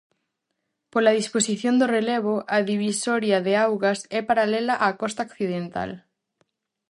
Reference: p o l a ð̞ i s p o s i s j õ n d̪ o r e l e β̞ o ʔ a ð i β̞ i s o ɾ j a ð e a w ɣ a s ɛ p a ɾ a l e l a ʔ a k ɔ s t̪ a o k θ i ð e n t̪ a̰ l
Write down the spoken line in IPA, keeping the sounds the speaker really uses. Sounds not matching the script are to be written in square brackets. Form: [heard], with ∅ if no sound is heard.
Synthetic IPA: p o l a ð̞ i s p o s i [θ] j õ n d̪ o r e l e β̞ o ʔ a ð i β̞ i s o ɾ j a ð e a w ɣ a s ɛ p a ɾ a l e l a ʔ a k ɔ s t̪ a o k θ i ð e n t̪ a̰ l